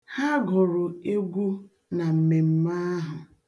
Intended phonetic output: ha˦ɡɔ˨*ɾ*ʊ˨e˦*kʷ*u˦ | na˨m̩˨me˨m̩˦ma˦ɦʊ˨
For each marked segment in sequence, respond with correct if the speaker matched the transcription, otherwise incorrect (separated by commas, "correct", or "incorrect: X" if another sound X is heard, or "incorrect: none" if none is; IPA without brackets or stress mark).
correct, incorrect: ɡʷ